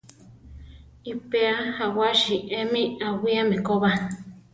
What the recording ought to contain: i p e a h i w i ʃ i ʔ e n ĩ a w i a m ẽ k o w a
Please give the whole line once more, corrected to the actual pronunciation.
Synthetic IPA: i p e a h a w a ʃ i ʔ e m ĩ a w i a m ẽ k o β a